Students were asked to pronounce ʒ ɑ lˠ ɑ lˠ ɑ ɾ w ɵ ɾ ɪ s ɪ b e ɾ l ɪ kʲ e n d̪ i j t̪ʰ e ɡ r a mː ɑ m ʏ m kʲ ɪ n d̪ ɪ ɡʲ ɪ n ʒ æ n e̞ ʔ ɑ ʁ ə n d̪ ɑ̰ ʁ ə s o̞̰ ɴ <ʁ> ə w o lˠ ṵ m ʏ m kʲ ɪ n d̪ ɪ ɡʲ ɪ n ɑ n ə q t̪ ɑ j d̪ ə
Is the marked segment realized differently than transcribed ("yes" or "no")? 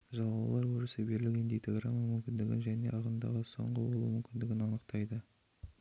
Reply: no